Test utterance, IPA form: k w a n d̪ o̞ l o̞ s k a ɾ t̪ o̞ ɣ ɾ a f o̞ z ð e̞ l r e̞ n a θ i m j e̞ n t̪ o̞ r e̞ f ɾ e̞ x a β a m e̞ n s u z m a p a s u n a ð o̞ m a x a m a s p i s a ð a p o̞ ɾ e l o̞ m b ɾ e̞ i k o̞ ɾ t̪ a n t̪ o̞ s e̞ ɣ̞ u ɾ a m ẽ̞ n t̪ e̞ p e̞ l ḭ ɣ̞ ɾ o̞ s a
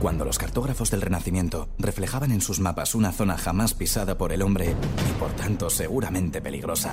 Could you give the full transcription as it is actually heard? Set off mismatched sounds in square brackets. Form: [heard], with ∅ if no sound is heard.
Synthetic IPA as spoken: k w a n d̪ o̞ l o̞ s k a ɾ t̪ o̞ ɣ ɾ a f o̞ z ð e̞ l r e̞ n a θ i m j e̞ n t̪ o̞ r e̞ f [l] e̞ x a β a [n] e̞ n s u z m a p a s u n a [θ] o̞ [n] a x a m a s p i s a ð a p o̞ ɾ e l o̞ m b ɾ e̞ i [p] o̞ ɾ t̪ a n t̪ o̞ s e̞ ɣ̞ u ɾ a m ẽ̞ n t̪ e̞ p e̞ l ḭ ɣ̞ ɾ o̞ s a